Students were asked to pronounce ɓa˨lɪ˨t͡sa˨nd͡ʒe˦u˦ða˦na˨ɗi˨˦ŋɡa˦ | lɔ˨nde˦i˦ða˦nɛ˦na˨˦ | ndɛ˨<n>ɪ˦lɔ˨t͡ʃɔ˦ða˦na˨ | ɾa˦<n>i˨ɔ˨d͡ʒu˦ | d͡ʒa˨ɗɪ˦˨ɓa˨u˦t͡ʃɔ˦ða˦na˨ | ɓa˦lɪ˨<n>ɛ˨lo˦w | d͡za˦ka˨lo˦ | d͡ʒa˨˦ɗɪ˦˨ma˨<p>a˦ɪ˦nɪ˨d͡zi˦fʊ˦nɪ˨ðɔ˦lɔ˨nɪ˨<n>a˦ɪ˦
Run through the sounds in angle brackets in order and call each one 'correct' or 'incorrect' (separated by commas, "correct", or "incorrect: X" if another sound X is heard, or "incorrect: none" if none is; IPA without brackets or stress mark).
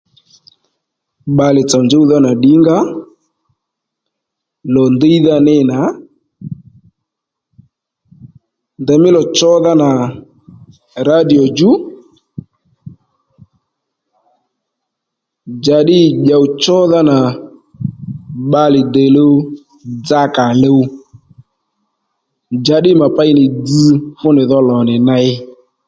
incorrect: m, incorrect: d, incorrect: d, correct, correct